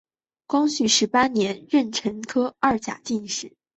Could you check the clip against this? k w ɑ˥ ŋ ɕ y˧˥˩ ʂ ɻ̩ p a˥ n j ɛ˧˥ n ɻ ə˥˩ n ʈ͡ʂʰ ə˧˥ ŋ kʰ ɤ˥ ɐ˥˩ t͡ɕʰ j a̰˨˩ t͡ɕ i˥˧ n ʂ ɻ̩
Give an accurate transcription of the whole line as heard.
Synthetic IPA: k w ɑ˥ ŋ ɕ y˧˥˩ ʂ ɻ̩ p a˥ n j ɛ˧˥ n ɻ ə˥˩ n ʈ͡ʂʰ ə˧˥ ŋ kʰ ɤ˥ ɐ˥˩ t͡ɕ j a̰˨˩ t͡ɕ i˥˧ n ʂ ɻ̩

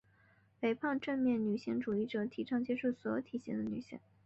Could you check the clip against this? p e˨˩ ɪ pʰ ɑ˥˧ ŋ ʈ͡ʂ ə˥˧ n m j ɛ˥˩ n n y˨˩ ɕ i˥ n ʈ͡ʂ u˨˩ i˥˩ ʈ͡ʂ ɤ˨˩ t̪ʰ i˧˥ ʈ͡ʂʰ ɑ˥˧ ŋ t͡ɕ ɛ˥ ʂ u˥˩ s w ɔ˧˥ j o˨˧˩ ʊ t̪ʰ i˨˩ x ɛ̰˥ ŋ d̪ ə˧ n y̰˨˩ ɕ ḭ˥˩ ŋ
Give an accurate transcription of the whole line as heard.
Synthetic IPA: p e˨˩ ɪ pʰ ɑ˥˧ ŋ ʈ͡ʂ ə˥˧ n m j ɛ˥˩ n n y˨˩ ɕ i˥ ŋ ʈ͡ʂ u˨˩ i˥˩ ʈ͡ʂ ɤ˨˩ t̪ʰ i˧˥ ʈ͡ʂʰ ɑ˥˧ ŋ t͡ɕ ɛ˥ ʂ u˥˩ s w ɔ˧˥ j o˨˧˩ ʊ t̪ʰ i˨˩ ɕ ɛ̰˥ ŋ d̪ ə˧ n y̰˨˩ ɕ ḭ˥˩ ŋ

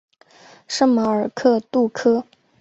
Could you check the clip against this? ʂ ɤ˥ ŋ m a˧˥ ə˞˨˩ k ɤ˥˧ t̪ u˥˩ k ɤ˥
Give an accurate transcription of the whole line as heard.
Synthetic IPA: ʂ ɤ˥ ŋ m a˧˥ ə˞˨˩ kʰ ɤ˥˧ t̪ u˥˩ kʰ ɤ˥

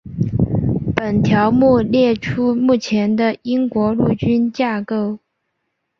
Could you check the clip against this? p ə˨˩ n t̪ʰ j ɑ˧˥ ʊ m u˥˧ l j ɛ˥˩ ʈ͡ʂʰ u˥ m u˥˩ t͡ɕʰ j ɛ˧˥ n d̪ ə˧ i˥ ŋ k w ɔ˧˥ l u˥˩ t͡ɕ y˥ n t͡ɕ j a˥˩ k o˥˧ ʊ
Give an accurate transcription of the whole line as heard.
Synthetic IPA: p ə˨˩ n t̪ʰ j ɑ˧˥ ʊ m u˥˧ l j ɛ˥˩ ʈ͡ʂʰ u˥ m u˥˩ t͡ɕʰ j ɛ˧˥ n d̪ ə˧ i˥ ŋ k w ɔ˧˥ l u˥˩ t͡ɕ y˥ n t͡ɕ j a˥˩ k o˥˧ ʊ

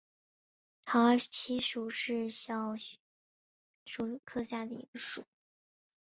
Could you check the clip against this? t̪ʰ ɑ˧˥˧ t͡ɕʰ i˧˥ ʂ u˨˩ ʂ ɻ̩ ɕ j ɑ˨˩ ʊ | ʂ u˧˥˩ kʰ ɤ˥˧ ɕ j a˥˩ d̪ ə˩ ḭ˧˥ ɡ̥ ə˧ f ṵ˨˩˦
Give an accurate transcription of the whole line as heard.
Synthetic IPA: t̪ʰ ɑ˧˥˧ t͡ɕʰ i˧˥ ʂ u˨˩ ʂ ɻ̩ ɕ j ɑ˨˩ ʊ | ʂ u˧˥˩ kʰ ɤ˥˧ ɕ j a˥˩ d̪ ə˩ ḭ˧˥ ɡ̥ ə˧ ʂ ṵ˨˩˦

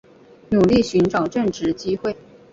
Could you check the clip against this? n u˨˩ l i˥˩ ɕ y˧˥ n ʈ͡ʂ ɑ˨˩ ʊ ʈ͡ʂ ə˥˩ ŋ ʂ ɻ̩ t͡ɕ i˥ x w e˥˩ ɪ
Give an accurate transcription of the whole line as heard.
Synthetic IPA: n u˨˩ l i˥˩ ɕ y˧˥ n ʈ͡ʂ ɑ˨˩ ʊ ʈ͡ʂ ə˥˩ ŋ ʈ͡ʂ ɻ̩ t͡ɕ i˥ x w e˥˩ ɪ

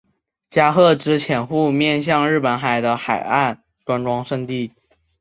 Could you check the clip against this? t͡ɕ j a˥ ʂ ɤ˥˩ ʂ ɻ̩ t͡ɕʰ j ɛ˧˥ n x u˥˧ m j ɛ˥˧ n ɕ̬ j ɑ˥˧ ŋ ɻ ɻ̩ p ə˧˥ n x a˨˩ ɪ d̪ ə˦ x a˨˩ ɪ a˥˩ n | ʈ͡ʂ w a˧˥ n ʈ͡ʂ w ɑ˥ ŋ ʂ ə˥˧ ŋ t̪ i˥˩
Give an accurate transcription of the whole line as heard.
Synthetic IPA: t͡ɕ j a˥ x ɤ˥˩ ʈ͡ʂ ɻ̩ t͡ɕʰ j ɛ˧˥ n x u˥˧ m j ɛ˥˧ n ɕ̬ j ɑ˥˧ ŋ ɻ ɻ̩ p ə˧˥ n x a˨˩ ɪ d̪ ə˦ x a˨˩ ɪ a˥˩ n | ʈ͡ʂ w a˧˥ n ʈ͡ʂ w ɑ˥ ŋ ʂ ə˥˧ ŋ t̪ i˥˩

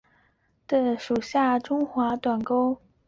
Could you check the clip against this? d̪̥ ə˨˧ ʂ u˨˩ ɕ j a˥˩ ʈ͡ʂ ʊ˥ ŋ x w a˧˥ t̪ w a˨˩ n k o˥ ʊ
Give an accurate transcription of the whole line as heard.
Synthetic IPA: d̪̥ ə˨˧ ʂ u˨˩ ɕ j a˥˩ ʈ͡ʂ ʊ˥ ŋ x w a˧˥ t̪ w a˨˩ n k o˥ ʊ

